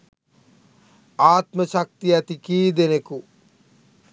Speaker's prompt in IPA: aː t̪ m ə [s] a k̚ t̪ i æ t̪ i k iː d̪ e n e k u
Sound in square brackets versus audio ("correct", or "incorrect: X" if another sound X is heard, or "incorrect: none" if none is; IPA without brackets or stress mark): incorrect: ʃ